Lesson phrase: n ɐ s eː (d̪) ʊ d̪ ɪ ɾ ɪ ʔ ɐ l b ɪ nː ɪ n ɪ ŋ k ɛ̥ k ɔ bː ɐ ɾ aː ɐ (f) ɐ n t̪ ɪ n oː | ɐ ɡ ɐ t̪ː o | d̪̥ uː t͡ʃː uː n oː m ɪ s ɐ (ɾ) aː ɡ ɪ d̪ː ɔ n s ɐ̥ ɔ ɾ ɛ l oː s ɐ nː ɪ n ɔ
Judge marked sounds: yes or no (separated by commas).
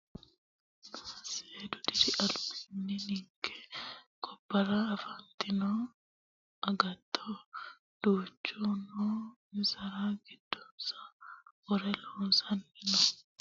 yes, yes, yes